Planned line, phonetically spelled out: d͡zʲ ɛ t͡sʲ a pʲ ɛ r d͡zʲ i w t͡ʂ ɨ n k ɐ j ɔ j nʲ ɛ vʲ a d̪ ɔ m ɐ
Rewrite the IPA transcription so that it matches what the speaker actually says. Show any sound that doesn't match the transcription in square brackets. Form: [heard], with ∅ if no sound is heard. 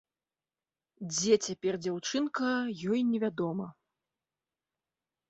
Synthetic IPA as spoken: d͡zʲ ɛ t͡sʲ a pʲ ɛ r d͡zʲ [a] w t͡ʂ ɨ n k ɐ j ɔ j nʲ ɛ vʲ a d̪ ɔ m ɐ

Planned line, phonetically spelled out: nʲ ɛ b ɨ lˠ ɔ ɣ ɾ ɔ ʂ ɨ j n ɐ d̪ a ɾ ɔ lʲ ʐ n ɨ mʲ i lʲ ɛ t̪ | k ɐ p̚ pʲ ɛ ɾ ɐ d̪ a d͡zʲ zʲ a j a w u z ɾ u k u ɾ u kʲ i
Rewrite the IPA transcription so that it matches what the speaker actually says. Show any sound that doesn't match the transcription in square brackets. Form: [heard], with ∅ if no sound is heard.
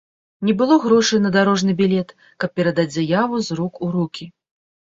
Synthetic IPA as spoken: nʲ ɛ b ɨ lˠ ɔ ɣ ɾ ɔ ʂ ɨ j n ɐ d̪ a ɾ ɔ [∅] ʐ n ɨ [bʲ] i lʲ ɛ t̪ | k ɐ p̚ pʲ ɛ ɾ ɐ d̪ a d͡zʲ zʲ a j a [v] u z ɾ u k u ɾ u kʲ i

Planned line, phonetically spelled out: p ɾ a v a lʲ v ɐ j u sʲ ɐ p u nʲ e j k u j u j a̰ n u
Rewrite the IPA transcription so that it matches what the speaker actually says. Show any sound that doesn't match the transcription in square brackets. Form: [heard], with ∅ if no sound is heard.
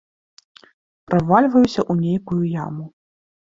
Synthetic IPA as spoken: p ɾ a v a lʲ v ɐ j u sʲ ɐ [ʔ] u nʲ e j k u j u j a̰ [m] u

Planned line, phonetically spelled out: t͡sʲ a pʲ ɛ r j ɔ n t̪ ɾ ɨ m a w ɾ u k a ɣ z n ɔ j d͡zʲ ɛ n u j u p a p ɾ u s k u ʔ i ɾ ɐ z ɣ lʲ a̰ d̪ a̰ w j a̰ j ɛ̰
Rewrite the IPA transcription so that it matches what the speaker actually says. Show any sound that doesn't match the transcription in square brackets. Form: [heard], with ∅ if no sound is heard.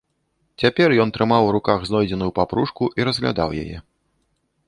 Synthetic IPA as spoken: t͡sʲ a pʲ ɛ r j ɔ n t̪ ɾ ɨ m a w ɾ u k a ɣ z n ɔ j d͡zʲ ɛ n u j u p a p ɾ u [ʂ] k u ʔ i ɾ ɐ z ɣ lʲ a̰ d̪ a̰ w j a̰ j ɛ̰

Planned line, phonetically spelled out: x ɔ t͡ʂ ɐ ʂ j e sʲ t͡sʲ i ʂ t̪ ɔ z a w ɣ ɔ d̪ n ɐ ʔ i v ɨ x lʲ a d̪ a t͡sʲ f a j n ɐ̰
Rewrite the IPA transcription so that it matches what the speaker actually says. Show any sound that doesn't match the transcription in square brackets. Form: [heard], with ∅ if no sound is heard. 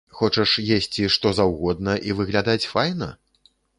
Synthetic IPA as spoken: x ɔ t͡ʂ ɐ ʂ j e sʲ t͡sʲ i ʂ t̪ ɔ z a w ɣ ɔ d̪ n ɐ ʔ i v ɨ [ɣ] lʲ a d̪ a t͡sʲ f a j n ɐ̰

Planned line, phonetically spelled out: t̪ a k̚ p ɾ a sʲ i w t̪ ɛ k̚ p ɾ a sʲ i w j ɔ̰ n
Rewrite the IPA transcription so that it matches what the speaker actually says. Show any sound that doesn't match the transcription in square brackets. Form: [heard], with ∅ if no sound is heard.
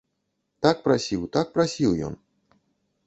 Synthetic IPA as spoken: t̪ a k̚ p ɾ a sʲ i w t̪ [a] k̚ p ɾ a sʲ i w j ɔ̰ n

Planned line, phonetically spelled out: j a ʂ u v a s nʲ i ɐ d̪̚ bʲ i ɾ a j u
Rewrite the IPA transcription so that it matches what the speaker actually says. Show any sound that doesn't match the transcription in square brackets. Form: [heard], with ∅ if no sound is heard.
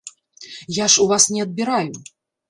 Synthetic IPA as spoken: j a ʂ u v a s nʲ [ɛ] ɐ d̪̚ bʲ i ɾ a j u

